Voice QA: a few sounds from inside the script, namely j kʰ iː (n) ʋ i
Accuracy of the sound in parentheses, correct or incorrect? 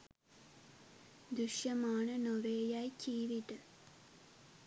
incorrect